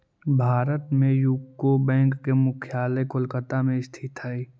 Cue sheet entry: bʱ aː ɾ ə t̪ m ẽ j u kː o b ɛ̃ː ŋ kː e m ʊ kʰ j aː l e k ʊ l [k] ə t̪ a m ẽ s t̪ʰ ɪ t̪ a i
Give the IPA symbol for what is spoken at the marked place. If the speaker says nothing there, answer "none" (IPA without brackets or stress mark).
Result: k